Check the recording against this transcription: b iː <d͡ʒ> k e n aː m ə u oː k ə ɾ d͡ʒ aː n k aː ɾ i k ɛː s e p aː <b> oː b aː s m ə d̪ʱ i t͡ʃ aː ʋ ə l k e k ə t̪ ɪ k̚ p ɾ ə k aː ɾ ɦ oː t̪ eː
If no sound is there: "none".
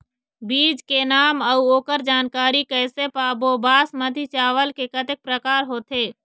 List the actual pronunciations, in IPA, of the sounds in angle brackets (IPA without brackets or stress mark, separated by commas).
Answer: d͡ʒ, b